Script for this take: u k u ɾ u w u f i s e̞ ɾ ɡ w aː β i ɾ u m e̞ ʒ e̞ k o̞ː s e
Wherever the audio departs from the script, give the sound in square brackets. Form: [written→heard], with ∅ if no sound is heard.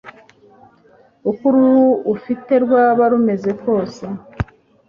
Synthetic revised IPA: u k u ɾ u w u f i [s→t] e̞ ɾ ɡ w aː β [i→a] ɾ u m e̞ [ʒ→z] e̞ k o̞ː s e